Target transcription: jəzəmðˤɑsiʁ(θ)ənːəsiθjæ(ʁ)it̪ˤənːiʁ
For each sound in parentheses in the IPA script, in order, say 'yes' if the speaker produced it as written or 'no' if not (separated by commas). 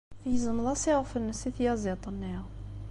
no, no